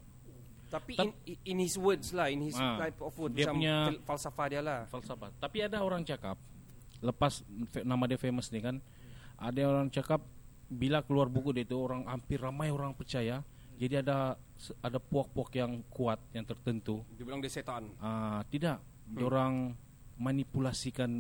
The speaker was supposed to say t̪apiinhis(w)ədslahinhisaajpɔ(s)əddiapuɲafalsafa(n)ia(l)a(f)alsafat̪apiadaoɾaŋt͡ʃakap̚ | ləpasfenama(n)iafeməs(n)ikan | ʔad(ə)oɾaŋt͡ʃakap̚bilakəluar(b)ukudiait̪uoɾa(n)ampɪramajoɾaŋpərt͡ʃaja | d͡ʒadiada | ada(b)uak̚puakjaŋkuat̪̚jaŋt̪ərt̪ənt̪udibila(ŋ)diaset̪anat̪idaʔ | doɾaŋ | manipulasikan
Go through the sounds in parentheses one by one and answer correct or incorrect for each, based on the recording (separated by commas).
correct, incorrect, incorrect, correct, correct, incorrect, correct, incorrect, correct, incorrect, incorrect, correct